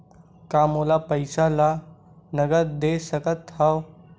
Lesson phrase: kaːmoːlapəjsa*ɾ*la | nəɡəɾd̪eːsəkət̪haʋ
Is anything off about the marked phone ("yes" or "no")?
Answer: yes